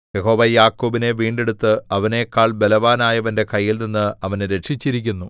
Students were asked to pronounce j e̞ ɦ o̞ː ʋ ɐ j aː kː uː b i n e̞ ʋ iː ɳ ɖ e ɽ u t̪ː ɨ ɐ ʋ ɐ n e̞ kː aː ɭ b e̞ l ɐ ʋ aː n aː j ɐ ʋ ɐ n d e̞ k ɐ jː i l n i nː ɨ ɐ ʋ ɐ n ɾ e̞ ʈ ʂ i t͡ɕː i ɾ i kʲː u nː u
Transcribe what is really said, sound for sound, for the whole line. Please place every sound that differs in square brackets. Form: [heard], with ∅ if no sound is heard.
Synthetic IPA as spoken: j e̞ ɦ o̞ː ʋ ɐ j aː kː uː b i n e̞ ʋ iː ɳ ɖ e ɽ u t̪ː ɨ ɐ ʋ ɐ n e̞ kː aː ɭ b e̞ l ɐ ʋ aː n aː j ɐ ʋ ɐ n d e̞ k ɐ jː i l n i nː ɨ ɐ ʋ ɐ n ɾ e̞ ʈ ʂ i t͡ɕː i ɾ i kʲː u nː u